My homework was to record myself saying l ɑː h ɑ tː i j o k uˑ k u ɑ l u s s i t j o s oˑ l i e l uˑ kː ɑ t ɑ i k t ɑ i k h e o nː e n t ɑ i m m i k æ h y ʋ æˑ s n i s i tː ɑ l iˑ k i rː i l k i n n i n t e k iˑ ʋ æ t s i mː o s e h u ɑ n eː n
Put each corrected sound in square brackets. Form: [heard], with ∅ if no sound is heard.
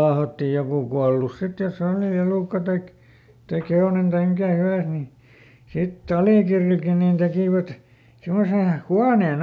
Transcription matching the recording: l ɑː h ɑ tː i j o k uˑ k u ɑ l u s s i t j o s oˑ l i e l uˑ kː ɑ t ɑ i k t ɑ i k h e o [n] e n t ɑ i m m i k æ h y ʋ æˑ s n i s i tː ɑ l iˑ k i rː i l k i n n i n t e k iˑ ʋ æ t s i mː o s e h u ɑ n eː n